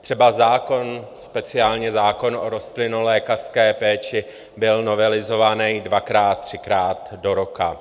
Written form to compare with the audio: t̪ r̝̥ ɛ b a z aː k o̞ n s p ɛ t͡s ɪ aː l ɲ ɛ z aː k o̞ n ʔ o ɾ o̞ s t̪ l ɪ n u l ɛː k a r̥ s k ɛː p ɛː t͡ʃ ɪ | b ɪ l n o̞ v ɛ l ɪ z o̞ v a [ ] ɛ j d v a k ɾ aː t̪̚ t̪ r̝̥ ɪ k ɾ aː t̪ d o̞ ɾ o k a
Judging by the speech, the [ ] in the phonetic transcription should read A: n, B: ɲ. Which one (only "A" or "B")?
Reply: A